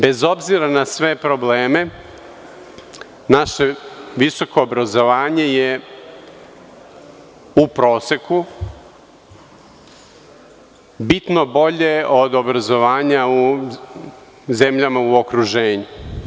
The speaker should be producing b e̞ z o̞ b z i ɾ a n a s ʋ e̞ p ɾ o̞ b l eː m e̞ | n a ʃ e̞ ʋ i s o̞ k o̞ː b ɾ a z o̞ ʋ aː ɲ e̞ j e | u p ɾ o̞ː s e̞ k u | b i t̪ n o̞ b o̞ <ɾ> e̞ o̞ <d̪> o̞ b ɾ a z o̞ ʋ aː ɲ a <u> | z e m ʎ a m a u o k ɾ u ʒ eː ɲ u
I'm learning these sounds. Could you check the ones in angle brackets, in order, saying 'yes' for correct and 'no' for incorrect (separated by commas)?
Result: no, yes, yes